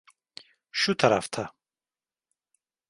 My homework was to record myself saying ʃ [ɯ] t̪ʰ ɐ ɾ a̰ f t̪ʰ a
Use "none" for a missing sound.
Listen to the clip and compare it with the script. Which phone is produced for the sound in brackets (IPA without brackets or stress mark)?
u